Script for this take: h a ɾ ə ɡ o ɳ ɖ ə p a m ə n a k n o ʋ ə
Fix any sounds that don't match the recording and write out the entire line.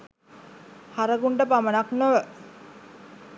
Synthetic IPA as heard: h a ɾ ə ɡ u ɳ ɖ ə p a m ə n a k n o ʋ ə